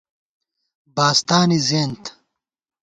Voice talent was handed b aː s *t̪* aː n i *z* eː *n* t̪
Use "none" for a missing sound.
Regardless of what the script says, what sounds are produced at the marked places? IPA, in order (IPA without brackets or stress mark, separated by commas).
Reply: t̪, z, n